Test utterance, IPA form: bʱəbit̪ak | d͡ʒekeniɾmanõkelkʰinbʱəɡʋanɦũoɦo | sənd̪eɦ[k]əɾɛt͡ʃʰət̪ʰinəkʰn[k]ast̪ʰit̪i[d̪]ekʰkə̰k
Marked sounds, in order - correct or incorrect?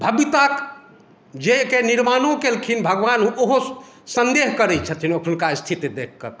correct, correct, correct

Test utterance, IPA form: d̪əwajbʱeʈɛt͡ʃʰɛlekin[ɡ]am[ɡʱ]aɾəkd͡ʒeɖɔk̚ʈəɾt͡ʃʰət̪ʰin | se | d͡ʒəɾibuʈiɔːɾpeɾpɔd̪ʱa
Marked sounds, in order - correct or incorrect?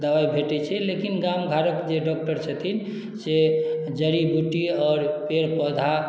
correct, correct

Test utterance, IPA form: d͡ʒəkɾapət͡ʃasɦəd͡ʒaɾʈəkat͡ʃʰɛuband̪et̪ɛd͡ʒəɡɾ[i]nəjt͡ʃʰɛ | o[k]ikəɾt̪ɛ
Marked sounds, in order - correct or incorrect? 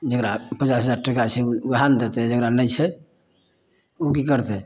incorrect: a, correct

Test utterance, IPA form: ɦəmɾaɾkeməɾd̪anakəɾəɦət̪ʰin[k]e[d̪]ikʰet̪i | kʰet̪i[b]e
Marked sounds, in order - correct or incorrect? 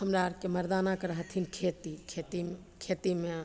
incorrect: kʰ, incorrect: t̪, incorrect: m

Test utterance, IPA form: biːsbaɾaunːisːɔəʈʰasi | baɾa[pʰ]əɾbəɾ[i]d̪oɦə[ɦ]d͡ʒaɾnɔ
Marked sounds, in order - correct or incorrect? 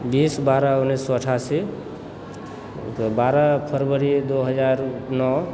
correct, correct, incorrect: none

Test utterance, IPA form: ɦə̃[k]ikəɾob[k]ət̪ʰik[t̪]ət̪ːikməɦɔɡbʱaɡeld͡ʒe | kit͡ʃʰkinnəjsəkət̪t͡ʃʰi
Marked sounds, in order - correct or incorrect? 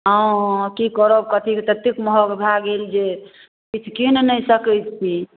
correct, correct, correct

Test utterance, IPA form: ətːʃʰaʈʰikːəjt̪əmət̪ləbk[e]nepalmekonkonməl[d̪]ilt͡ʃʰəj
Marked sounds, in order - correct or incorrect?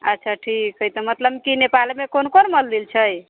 incorrect: i, correct

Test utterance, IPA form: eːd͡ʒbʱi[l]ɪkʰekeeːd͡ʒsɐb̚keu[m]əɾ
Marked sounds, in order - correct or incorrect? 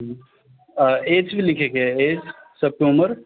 correct, correct

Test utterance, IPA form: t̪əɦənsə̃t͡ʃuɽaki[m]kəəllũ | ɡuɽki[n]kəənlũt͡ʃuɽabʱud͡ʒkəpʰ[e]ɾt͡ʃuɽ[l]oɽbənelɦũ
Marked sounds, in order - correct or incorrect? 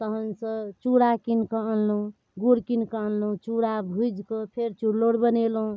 incorrect: n, correct, correct, correct

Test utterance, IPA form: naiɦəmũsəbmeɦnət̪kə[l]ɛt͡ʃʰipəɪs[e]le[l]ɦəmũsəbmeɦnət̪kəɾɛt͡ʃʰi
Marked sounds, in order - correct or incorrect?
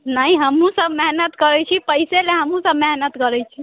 incorrect: ɾ, correct, incorrect: none

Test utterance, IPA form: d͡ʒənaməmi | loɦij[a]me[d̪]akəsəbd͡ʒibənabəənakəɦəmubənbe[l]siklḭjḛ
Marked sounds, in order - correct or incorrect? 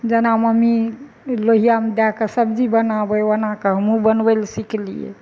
correct, correct, correct

